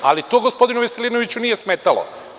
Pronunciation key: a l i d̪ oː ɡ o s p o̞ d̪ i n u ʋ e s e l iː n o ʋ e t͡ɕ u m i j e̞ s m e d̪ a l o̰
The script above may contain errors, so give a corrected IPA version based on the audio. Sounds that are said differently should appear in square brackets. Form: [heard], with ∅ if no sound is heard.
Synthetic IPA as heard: a l i [t̪] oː ɡ o s p o̞ d̪ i n u ʋ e s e l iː n o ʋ [i] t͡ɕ u [n] i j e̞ s m e [t̪] a l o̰